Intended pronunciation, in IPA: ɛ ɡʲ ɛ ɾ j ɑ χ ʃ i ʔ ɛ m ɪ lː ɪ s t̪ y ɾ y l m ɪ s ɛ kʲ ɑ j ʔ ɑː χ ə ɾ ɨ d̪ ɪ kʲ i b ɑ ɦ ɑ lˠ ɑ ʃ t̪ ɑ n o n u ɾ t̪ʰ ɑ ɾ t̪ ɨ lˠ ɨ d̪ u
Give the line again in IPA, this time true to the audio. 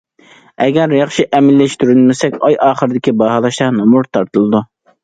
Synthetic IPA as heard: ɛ ɡʲ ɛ ɾ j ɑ χ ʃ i ʔ ɛ m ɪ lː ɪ ʃ t̪ y ɾ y l m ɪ s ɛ kʲ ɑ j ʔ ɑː χ ə ɾ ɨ d̪ ɪ kʲ i b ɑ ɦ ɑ lˠ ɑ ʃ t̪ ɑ n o m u ɾ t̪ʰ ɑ ɾ t̪ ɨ lˠ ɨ d̪ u